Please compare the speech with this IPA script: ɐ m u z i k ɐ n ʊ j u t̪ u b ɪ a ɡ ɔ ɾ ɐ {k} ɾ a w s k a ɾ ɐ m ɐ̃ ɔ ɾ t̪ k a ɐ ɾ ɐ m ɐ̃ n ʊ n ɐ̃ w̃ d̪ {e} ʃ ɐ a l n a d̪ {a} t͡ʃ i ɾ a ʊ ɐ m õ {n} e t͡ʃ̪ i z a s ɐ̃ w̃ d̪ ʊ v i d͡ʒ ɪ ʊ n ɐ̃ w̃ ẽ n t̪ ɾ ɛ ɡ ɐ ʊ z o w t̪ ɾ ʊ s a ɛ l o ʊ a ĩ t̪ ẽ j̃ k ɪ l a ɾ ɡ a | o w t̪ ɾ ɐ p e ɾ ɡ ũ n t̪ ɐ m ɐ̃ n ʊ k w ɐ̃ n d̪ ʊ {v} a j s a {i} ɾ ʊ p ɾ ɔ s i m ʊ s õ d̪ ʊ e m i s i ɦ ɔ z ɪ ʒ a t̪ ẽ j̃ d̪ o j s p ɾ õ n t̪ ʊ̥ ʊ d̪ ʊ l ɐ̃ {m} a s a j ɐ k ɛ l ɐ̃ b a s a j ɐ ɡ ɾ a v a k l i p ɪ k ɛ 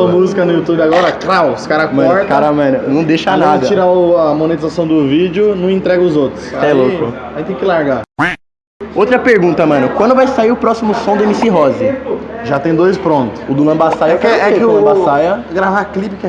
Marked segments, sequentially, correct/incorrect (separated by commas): correct, correct, incorrect, correct, correct, correct, incorrect